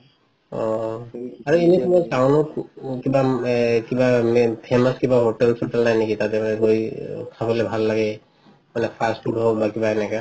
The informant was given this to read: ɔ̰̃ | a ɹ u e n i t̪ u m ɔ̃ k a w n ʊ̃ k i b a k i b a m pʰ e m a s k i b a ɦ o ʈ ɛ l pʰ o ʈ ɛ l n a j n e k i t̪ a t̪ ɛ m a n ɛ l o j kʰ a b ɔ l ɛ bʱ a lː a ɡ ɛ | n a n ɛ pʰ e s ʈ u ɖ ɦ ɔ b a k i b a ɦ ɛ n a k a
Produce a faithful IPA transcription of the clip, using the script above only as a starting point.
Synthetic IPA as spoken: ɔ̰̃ | a ɹ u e n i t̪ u m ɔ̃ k a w n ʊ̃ k i b a k i b a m pʰ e m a s k i b a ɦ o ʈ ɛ l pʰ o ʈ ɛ l n a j n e k i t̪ a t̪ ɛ m a n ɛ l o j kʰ a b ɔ l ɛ bʱ a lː a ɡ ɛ | m a n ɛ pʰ a s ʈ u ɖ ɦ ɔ b a k i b a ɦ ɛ n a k a